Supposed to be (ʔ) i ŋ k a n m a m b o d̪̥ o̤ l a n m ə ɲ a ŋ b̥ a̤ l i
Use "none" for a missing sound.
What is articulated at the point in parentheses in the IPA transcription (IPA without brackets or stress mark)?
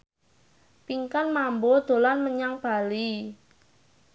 p